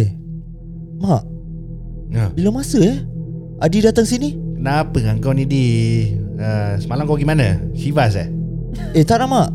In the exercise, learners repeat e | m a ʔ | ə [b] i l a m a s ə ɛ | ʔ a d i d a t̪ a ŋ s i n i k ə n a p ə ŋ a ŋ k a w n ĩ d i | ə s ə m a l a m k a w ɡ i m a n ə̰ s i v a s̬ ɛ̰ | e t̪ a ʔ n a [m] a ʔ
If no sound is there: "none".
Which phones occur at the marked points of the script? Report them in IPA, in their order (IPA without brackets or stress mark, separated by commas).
b, m